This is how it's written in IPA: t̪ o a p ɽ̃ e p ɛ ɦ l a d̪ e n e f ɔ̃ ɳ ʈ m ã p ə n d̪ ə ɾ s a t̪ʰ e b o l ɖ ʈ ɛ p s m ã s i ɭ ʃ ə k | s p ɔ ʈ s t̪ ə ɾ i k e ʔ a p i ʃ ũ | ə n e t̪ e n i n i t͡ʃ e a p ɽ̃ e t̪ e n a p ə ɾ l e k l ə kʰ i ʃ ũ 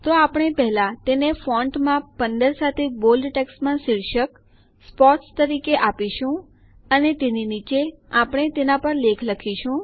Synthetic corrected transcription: t̪ o a p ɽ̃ e p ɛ ɦ l a t̪ e n e f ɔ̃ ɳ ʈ m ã p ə n d̪ ə ɾ s a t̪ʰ e b o l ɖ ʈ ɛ k s m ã s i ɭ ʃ ə k | s p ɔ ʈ s t̪ ə ɾ i k e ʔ a p i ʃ ũ | ə n e t̪ e n i n i t͡ʃ e a p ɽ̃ e t̪ e n a p ə ɾ l e kʰ l ə kʰ i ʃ ũ